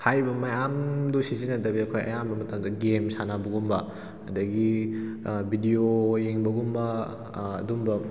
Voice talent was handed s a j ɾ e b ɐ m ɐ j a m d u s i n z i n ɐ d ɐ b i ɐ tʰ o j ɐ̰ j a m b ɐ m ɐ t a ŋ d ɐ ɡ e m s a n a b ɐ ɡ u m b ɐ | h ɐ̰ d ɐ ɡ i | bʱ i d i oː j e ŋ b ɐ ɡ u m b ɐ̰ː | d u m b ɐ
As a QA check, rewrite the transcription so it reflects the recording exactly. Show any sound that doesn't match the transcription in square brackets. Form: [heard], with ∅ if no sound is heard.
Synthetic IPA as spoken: [h] a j ɾ [i] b ɐ m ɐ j a m d u s i [∅] z i n ɐ d ɐ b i ɐ [kʰ] o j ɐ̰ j a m b ɐ m ɐ t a [m] d ɐ ɡ e m s a n a b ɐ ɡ u m b ɐ | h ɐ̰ d ɐ ɡ i | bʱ i d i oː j e ŋ b ɐ ɡ u m b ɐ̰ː | d u m b ɐ